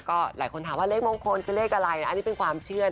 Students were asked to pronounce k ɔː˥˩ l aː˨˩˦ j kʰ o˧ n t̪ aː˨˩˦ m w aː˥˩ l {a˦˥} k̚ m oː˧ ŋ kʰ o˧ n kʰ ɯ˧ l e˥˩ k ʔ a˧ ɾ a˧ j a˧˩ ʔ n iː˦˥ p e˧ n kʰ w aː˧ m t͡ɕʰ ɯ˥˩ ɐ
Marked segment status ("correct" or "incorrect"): incorrect